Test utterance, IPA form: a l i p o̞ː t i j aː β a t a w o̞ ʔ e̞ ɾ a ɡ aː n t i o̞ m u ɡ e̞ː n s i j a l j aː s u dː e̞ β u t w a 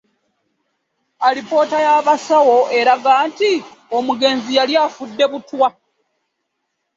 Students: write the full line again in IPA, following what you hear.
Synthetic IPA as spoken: a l i p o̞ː t a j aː β a s a w o̞ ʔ e̞ ɾ a ɡ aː n t i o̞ m u ɡ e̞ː n z i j a l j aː f u dː e̞ β u t w a